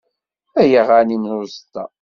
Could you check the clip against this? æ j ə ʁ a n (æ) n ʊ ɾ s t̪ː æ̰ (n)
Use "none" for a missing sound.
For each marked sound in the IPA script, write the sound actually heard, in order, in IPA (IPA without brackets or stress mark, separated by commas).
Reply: i, none